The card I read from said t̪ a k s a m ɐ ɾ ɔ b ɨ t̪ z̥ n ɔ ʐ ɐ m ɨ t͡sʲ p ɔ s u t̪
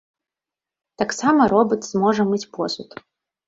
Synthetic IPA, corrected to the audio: t̪ a k s a m ɐ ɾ ɔ b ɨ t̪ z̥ m ɔ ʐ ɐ m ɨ t͡sʲ p ɔ s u t̪